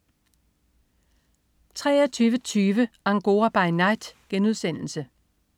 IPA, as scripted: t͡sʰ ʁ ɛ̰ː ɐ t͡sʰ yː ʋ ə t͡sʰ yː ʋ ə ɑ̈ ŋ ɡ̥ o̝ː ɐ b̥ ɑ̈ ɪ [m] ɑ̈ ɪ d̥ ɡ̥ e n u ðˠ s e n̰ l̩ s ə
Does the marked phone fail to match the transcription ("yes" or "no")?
yes